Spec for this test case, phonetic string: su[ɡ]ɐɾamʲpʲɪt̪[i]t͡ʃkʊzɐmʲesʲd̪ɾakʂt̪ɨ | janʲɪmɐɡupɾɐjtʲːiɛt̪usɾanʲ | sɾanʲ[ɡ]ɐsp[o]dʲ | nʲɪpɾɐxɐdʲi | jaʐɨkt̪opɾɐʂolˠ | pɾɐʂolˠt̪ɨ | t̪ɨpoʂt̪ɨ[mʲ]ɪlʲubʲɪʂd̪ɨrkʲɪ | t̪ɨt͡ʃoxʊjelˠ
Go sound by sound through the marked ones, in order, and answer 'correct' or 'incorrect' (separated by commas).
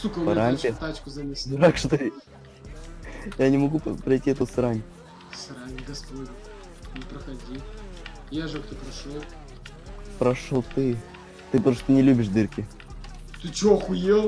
incorrect, incorrect, correct, correct, incorrect